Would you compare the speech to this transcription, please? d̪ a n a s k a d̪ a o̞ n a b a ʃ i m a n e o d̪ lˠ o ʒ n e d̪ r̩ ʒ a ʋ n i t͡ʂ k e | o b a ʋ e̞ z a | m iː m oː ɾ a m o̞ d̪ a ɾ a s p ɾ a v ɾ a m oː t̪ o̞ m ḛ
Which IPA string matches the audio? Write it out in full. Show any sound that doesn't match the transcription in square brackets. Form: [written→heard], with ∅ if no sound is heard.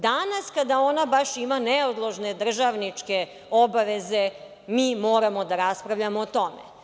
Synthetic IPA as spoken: d̪ a n a s k a d̪ a o̞ n a b a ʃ i m a n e o d̪ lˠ o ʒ n e d̪ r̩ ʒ a ʋ n i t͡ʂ k e | o b a ʋ e̞ z [a→e] | m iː m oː ɾ a m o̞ d̪ a ɾ a s p ɾ a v [ɾ→ʎ] a m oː t̪ o̞ m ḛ